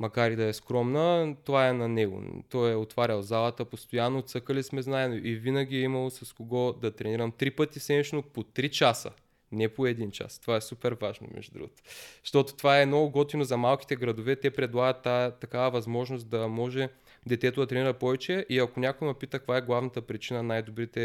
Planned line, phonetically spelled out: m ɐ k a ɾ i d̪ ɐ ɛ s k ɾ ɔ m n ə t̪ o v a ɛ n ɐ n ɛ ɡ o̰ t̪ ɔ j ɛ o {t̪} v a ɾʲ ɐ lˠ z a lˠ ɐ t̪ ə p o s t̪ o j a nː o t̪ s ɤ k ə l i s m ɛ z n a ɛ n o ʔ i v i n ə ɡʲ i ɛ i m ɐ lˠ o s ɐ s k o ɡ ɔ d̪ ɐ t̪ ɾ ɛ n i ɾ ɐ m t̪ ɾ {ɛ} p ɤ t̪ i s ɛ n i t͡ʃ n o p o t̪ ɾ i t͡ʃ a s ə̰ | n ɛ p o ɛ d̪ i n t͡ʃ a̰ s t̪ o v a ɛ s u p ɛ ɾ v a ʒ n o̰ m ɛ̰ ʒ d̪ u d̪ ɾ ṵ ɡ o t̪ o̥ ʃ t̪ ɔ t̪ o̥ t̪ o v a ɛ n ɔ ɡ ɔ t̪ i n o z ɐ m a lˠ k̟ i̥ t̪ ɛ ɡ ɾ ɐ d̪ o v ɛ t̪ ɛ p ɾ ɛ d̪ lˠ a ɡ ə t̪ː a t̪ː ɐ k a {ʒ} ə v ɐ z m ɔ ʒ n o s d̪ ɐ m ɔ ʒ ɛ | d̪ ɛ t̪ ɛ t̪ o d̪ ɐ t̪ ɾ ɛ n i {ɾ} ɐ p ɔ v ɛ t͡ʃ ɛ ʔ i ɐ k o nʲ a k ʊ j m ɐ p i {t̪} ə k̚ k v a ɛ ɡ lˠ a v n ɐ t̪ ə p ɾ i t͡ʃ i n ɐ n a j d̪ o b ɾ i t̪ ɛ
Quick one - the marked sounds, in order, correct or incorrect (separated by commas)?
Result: correct, incorrect, incorrect, correct, correct